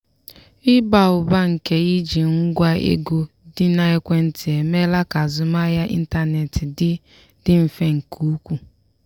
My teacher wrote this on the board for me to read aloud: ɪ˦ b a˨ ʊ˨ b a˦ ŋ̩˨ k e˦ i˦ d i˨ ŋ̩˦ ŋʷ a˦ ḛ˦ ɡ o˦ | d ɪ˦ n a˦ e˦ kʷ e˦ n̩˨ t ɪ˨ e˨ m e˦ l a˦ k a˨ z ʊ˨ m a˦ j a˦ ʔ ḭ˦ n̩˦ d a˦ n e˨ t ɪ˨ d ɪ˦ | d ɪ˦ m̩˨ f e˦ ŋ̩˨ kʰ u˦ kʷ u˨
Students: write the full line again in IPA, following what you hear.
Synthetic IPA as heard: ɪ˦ b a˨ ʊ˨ b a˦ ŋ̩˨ k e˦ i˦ d͡ʒ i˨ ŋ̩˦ ɡʷ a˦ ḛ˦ ɡ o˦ | d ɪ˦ n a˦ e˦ kʷ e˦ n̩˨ t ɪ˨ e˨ m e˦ l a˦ k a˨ z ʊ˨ m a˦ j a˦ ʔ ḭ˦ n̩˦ t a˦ n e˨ t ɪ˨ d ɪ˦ | d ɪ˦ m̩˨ f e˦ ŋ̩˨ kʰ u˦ kʷ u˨